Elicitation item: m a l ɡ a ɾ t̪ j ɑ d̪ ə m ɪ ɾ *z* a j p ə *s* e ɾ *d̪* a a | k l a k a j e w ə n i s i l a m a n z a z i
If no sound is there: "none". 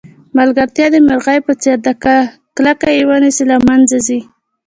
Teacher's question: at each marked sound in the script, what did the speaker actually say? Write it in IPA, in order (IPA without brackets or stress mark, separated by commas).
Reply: ɣ, t͡s, d̪